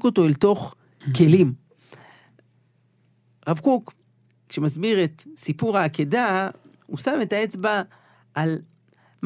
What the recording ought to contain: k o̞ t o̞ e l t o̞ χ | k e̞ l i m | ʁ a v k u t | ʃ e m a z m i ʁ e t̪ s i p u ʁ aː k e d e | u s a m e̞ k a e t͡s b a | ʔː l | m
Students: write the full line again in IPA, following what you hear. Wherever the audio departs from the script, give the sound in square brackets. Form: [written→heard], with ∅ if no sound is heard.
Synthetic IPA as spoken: k o̞ t o̞ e l t o̞ χ | k e̞ l i m | ʁ a v k u [t→k] | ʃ e m a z [m→b] i ʁ e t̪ s i p u ʁ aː k e d [e→a] | u s a m e̞ [k→t] a e t͡s b a | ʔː l | m